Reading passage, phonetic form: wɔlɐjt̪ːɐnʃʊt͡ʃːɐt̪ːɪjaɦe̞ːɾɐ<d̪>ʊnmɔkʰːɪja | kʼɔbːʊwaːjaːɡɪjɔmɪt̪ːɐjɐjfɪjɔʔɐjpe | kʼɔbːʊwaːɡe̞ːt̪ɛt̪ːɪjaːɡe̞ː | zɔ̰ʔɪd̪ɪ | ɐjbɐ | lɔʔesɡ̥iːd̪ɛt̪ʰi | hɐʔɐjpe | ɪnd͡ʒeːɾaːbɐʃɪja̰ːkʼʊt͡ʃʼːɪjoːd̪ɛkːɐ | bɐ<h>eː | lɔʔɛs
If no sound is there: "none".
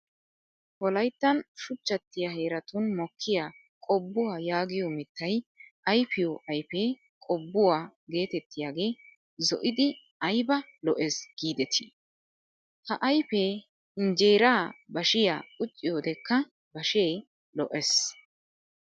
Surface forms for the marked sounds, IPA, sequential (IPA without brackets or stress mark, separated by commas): t̪, ʃ